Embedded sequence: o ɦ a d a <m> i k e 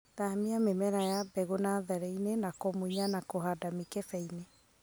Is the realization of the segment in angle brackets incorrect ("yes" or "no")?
no